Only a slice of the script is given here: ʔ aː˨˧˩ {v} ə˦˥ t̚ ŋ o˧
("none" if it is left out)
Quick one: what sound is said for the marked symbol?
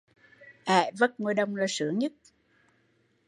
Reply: v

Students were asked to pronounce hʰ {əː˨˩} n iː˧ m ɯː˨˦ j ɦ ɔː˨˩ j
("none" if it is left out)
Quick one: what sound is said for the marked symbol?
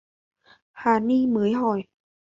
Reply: aː˨˩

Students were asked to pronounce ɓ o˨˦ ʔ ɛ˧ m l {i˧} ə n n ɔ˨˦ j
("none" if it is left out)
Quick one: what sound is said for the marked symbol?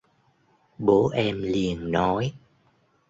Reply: i˨˩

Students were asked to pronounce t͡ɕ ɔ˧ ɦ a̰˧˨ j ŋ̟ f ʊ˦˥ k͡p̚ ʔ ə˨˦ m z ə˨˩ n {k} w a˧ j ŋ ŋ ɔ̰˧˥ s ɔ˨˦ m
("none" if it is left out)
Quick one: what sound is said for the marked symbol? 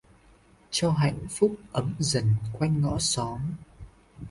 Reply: k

